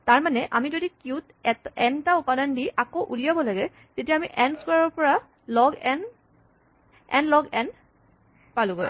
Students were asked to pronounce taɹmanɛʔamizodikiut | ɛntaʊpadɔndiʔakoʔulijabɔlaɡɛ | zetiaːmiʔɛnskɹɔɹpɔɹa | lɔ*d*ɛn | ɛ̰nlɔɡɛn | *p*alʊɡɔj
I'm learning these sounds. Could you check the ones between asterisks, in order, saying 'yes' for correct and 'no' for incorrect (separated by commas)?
no, yes